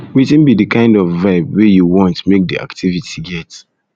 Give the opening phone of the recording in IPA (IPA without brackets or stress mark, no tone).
w